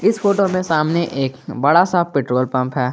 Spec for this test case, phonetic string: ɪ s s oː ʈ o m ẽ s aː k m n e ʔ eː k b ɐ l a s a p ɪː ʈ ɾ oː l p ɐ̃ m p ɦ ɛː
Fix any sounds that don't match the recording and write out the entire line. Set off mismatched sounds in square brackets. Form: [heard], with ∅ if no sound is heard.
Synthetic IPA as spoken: ɪ s [f] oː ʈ o m ẽ s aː [∅] m n e ʔ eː k b ɐ [ɽ] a s a p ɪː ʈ ɾ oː l p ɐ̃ m p ɦ ɛː